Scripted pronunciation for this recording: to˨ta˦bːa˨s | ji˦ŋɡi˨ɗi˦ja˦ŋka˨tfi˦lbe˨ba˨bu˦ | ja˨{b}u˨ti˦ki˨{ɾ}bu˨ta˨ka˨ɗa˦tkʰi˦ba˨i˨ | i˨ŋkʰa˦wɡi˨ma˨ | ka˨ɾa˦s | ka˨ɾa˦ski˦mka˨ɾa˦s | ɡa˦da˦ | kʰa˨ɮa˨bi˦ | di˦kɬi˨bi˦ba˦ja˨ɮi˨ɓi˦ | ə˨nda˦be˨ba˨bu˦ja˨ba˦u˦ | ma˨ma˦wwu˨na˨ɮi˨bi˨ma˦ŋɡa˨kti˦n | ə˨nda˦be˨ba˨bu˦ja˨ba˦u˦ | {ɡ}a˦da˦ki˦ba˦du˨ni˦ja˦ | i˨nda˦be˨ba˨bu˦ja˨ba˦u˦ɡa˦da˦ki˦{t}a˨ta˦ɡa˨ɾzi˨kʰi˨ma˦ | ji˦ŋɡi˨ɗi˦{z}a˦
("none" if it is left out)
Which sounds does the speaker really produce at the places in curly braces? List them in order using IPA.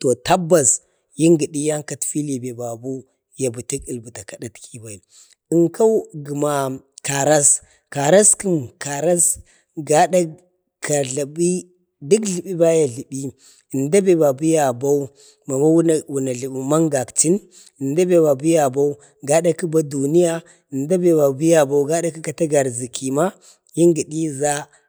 b, l, ɡ, k, z

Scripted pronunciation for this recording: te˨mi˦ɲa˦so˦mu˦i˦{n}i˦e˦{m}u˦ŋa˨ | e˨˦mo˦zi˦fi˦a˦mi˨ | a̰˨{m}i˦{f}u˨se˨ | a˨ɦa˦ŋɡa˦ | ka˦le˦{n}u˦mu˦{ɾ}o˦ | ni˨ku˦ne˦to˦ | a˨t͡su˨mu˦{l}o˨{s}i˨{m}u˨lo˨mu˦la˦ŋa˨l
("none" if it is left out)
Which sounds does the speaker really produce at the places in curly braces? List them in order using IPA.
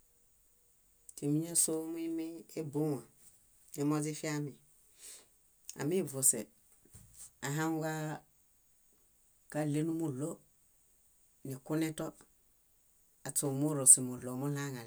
m, b, m, v, n, l, ɾ, s, m

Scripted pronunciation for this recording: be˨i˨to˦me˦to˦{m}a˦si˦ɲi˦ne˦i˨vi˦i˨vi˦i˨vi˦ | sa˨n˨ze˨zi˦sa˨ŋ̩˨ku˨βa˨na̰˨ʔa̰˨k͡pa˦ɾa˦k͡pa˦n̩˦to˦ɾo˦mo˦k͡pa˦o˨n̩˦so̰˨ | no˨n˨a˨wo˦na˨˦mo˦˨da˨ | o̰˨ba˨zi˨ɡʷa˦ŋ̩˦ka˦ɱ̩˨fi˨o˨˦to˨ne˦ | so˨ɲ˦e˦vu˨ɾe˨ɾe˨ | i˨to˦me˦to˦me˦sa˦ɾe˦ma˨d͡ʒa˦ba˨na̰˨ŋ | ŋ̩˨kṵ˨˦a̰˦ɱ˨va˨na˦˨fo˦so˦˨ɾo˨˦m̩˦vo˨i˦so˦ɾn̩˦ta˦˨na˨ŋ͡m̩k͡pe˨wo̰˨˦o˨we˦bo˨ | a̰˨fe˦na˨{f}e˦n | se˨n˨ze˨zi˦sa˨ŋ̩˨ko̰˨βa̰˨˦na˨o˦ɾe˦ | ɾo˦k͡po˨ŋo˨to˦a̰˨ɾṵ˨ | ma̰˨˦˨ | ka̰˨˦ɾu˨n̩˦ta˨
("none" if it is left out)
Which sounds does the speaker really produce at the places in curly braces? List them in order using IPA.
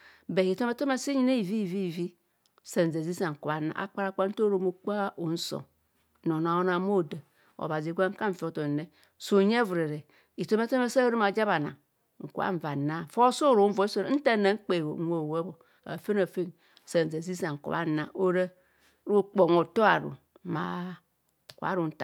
m, f

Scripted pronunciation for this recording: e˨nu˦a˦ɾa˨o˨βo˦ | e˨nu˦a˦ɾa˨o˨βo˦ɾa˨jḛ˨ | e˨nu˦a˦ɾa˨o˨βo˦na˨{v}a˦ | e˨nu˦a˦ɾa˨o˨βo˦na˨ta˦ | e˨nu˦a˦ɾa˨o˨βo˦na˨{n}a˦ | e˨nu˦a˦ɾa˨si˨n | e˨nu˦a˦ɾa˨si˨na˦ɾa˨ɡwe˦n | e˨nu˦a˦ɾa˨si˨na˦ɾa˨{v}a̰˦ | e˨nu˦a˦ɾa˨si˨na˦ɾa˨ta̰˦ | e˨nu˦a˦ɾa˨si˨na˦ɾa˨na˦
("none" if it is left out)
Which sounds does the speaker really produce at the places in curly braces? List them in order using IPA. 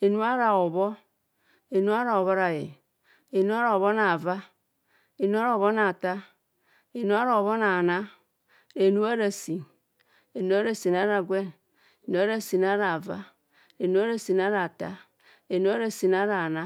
v, n, v

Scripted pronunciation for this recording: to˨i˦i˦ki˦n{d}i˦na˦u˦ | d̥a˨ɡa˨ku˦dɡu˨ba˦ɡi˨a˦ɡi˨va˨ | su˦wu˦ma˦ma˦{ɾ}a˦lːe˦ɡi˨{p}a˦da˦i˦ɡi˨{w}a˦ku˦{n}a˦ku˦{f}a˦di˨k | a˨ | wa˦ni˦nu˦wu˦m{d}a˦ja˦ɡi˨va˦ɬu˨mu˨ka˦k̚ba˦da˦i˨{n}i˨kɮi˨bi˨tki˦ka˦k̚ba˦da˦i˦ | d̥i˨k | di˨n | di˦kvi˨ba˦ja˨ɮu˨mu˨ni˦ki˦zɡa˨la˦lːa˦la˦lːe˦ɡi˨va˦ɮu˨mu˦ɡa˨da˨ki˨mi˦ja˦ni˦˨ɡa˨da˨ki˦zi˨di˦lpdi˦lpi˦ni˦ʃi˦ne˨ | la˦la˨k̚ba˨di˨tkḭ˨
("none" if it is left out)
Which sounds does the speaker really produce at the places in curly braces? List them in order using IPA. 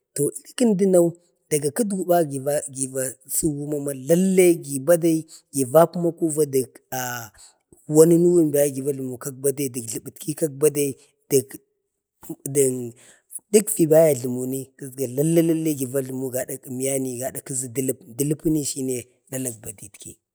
d, l, b, v, m, v, b, d

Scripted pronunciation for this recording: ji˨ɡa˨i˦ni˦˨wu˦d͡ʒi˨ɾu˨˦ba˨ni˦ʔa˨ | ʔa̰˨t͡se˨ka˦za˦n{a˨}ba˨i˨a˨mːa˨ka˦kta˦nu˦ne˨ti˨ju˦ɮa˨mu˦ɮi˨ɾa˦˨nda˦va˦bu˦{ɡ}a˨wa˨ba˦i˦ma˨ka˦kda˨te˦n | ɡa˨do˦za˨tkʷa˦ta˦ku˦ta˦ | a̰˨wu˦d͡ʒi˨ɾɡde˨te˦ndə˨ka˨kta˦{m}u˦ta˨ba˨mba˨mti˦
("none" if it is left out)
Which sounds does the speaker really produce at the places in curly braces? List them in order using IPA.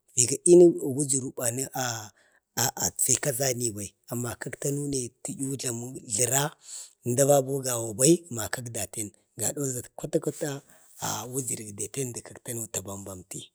i˨, ɡ, n

